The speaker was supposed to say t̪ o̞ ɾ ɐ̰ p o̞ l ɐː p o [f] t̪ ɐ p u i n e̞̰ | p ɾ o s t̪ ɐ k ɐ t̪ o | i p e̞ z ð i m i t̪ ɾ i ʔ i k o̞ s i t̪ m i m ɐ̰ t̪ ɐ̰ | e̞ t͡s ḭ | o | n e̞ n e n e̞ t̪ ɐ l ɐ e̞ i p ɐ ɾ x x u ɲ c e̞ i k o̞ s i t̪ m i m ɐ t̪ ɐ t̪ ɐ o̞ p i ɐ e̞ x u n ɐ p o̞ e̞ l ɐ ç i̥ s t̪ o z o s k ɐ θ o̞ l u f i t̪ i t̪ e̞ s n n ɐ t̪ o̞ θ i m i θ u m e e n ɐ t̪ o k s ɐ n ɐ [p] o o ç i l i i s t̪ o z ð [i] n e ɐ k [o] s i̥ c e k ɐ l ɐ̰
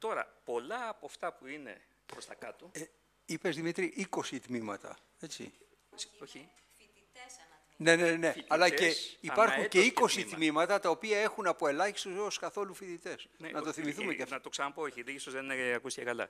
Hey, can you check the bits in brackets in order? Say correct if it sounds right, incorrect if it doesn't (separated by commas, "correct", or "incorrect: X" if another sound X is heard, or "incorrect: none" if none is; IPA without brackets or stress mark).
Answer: correct, correct, incorrect: e, incorrect: u